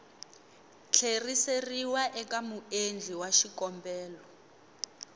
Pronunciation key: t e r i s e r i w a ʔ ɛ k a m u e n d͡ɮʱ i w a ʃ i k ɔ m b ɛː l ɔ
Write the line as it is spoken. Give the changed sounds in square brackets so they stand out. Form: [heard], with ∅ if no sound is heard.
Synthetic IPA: [t͡ɬʰ] e r i s e r i w a ʔ ɛ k a m u e n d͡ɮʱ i w a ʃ i k ɔ m b ɛː l ɔ